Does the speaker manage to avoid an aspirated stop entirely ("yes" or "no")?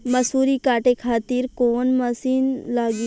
no